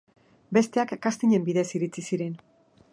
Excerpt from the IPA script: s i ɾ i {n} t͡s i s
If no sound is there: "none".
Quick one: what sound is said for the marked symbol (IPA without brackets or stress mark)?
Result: none